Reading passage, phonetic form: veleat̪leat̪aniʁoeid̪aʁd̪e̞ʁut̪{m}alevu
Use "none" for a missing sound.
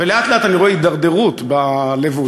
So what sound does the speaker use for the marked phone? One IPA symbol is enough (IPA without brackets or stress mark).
b